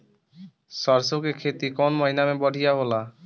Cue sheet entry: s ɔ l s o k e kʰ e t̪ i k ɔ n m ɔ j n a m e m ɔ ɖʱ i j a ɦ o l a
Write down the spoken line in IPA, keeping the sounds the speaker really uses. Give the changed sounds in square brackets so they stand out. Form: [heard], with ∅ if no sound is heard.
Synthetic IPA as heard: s ɔ [ɾ] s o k e kʰ e t̪ i k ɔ n m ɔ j n a m e [b] ɔ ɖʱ i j a ɦ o l a